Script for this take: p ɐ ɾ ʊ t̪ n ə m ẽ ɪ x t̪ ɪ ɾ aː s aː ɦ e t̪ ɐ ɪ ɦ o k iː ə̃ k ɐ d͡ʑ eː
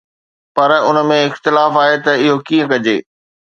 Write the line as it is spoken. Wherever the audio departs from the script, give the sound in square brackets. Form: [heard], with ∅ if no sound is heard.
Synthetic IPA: p ɐ ɾ ʊ [∅] n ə m ẽ ɪ x t̪ ɪ [l] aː [f] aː ɦ e t̪ ɐ ɪ ɦ o k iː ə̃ k ɐ d͡ʑ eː